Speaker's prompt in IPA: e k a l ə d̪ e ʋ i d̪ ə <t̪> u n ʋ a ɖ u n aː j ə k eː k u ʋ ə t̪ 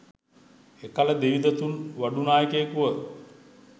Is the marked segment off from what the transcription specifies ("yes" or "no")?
no